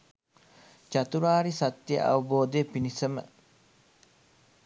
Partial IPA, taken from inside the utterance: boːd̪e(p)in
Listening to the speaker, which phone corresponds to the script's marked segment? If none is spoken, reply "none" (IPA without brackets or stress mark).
p